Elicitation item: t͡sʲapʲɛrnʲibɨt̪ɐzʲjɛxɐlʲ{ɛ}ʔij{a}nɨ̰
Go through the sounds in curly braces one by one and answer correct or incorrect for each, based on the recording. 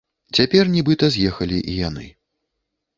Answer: incorrect, correct

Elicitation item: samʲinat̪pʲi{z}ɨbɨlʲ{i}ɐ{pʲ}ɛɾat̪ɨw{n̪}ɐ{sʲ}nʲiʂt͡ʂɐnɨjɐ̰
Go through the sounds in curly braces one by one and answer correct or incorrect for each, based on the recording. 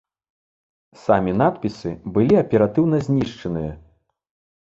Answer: incorrect, correct, correct, correct, incorrect

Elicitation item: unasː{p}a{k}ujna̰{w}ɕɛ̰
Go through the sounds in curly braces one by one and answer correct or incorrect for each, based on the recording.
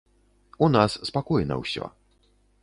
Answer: correct, correct, correct

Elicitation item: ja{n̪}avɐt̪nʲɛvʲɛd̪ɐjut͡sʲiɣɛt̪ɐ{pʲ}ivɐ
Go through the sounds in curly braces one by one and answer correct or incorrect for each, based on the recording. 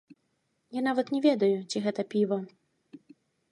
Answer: correct, correct

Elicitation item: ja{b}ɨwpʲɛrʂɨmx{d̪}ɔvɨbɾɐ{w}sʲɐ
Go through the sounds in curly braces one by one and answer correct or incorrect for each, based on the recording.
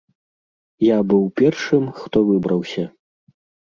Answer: correct, incorrect, correct

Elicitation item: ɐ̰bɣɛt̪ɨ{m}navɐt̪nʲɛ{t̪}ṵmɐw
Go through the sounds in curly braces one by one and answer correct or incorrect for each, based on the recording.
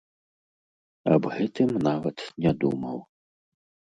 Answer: correct, incorrect

